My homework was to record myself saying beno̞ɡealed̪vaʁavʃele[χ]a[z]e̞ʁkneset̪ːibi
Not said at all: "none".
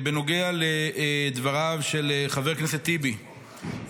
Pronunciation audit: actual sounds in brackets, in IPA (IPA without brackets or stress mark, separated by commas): χ, v